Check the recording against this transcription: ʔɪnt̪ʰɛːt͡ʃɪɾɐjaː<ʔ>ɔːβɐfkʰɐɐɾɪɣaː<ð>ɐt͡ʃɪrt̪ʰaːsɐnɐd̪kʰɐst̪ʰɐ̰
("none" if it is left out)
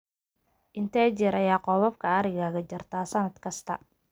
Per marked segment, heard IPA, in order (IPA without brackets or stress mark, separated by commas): q, ɣ